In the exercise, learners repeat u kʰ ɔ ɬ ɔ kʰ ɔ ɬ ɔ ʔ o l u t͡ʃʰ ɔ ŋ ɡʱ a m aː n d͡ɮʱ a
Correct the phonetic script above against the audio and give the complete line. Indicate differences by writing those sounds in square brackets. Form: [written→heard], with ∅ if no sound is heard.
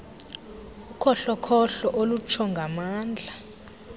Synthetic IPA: u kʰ ɔ ɬ ɔ kʰ ɔ ɬ ɔ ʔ o l u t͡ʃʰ ɔ ŋ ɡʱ a m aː n d͡ɮʱ a